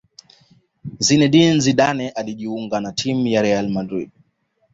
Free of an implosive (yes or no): no